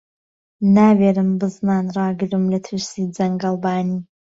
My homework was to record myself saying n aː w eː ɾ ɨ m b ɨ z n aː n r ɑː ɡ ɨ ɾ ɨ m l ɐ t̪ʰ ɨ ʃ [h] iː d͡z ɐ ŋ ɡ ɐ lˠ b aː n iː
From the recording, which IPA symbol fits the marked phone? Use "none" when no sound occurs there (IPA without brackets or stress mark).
s